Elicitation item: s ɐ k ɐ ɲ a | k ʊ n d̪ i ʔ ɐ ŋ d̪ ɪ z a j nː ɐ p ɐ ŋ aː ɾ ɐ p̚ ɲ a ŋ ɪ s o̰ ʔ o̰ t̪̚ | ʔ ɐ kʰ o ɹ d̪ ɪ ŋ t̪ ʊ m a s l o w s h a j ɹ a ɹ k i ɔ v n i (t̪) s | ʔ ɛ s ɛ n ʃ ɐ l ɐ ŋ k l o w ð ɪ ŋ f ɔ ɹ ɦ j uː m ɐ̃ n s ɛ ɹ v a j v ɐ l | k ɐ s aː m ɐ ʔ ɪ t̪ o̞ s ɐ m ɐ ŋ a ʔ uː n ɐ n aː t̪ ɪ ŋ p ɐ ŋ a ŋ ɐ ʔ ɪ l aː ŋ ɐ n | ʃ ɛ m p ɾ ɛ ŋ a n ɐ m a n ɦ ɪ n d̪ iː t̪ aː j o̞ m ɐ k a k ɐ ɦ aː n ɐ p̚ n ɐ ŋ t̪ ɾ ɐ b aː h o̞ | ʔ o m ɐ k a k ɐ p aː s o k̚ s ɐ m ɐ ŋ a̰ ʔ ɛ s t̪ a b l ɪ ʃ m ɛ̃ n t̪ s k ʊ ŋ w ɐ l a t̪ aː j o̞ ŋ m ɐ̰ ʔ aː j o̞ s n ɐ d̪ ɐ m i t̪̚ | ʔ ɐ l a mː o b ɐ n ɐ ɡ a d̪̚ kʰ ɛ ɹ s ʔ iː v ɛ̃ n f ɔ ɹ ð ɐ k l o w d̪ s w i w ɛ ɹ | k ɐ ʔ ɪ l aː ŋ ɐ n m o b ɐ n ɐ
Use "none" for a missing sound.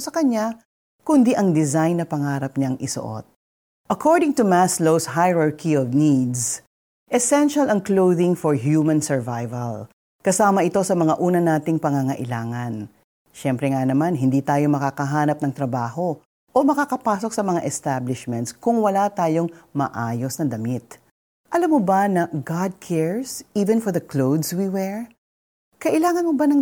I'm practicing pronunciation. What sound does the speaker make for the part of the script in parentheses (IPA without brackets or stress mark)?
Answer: d̪